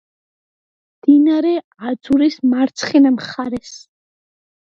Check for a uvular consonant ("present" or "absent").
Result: present